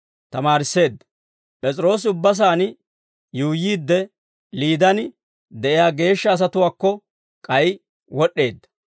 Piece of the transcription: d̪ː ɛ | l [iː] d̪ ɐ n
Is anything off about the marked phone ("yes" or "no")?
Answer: no